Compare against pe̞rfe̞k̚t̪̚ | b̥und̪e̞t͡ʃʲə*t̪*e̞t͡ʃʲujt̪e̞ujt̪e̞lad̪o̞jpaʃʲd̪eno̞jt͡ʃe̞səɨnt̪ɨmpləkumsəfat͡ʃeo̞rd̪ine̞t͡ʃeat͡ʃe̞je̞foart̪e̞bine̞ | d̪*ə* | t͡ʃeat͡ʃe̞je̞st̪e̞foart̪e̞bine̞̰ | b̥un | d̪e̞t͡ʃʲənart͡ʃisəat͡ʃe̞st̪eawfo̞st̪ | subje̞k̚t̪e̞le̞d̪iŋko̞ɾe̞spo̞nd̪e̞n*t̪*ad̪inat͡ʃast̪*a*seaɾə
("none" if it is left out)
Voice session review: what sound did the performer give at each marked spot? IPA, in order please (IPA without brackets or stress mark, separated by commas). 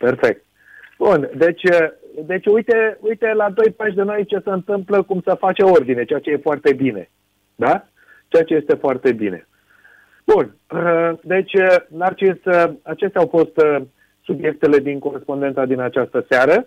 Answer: d̪, a, t̪, ə